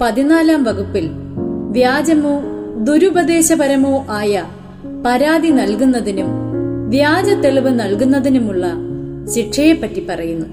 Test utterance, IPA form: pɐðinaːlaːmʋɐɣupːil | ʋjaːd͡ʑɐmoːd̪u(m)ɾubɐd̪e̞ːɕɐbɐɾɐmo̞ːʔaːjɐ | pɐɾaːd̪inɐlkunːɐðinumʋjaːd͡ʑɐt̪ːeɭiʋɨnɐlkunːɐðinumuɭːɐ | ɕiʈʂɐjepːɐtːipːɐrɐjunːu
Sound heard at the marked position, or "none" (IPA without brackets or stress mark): none